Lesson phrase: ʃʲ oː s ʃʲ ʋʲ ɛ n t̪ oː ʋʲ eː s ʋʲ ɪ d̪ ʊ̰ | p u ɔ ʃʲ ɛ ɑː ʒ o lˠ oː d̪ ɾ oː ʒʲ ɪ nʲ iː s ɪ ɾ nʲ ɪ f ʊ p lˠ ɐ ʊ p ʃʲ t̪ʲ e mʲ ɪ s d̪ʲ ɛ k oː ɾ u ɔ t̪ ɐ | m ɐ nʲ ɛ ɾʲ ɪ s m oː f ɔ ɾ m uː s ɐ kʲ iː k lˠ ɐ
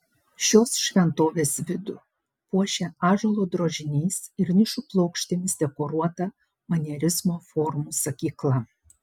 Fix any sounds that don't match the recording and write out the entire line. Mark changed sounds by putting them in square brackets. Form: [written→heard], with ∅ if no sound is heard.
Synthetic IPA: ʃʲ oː s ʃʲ ʋʲ ɛ n t̪ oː ʋʲ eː s ʋʲ ɪ d̪ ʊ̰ | p u ɔ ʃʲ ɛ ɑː ʒ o lˠ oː d̪ ɾ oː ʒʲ ɪ nʲ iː s ɪ ɾ nʲ ɪ [f→ʃ] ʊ p lˠ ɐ ʊ [p→k] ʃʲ t̪ʲ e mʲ ɪ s d̪ʲ ɛ k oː ɾ u ɔ t̪ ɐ | m ɐ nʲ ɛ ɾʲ ɪ [s→z] m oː f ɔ ɾ m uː s ɐ kʲ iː k lˠ ɐ